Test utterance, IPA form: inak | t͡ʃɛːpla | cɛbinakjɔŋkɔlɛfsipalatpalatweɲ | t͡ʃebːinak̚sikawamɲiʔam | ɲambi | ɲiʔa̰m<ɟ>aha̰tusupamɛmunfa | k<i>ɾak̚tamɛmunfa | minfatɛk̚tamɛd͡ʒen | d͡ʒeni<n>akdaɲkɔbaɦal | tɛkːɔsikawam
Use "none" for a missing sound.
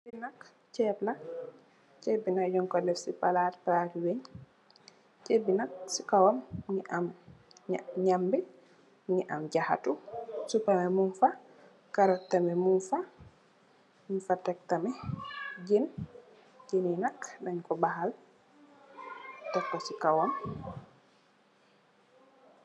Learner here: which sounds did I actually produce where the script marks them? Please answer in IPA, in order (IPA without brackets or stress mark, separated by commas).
ɟ, a, n